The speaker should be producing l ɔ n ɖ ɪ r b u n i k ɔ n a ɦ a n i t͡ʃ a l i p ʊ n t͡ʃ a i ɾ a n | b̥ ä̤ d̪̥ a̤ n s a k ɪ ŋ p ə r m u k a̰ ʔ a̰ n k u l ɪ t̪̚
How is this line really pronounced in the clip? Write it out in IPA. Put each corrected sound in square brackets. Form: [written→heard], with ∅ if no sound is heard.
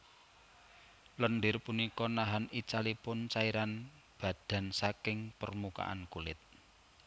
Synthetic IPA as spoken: l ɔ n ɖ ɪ r [b→p] u n i k ɔ n a ɦ a n i t͡ʃ a l i p ʊ n t͡ʃ a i ɾ a n | b̥ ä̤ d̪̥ a̤ n s a k ɪ ŋ p ə r m u k a̰ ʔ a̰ n k u l ɪ t̪̚